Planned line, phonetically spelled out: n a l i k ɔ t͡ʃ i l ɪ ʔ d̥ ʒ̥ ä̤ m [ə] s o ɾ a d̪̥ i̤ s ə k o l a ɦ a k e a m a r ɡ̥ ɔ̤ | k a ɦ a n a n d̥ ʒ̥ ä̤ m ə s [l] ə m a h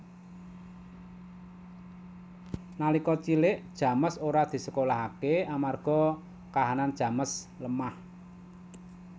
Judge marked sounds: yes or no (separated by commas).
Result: yes, yes